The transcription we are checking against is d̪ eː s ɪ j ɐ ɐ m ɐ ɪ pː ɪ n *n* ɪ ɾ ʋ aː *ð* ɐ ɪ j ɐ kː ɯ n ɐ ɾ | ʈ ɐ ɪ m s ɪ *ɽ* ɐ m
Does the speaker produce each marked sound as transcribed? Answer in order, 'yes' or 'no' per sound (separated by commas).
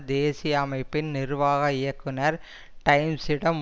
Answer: yes, no, yes